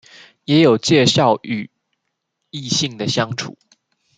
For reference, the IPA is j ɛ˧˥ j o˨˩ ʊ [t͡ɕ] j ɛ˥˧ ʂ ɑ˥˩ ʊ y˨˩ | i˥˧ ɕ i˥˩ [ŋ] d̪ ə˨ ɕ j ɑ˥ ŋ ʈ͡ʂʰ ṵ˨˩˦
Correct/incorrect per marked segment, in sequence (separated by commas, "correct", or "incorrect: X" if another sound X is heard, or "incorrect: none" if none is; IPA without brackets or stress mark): correct, correct